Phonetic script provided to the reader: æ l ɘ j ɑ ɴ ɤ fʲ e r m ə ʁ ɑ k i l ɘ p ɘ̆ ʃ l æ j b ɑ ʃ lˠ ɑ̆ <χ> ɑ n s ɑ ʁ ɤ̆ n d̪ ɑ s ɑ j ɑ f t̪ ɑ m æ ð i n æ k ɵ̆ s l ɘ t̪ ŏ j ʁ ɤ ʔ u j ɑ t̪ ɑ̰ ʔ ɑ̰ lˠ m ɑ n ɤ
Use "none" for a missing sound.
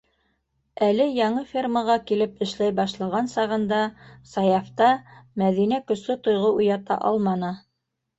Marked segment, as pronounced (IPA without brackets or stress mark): ʁ